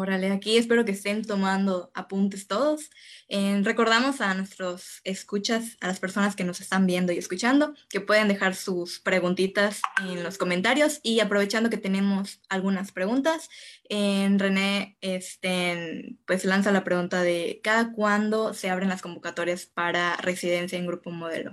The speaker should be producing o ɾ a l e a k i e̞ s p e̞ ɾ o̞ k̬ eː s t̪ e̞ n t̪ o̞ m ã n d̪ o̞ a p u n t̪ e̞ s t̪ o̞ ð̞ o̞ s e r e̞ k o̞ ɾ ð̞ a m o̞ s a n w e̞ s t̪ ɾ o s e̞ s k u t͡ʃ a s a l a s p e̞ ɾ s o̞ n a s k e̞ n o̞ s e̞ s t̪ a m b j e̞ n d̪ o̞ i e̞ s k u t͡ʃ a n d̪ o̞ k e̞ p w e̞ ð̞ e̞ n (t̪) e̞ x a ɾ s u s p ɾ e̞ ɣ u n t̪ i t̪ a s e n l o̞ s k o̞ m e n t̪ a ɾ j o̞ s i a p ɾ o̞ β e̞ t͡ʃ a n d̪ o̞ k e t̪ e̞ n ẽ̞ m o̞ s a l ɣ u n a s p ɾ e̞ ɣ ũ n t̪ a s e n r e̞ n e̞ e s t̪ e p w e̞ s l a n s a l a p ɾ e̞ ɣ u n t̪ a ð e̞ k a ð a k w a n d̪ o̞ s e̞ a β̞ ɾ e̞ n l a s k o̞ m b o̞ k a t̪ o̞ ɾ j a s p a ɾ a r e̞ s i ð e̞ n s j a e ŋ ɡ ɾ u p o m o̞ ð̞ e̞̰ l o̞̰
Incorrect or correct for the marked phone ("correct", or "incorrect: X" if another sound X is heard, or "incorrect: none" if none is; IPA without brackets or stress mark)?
incorrect: d̪